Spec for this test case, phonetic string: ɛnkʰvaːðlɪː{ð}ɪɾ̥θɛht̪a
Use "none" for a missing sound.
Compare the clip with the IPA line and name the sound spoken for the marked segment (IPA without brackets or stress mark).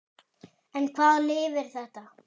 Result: v